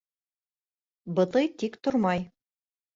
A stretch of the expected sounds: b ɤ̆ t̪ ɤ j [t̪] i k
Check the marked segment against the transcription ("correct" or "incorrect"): correct